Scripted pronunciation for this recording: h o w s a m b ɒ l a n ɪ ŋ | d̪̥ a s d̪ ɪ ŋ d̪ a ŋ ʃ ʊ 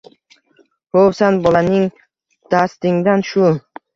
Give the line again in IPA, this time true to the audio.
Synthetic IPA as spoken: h o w s a n b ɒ l a n ɪ ŋ | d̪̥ a s t̪ ɪ ŋ d̪ a n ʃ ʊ